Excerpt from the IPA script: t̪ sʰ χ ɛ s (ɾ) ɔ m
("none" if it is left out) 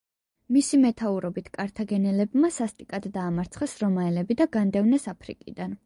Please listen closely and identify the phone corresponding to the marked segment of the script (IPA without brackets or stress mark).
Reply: ɾ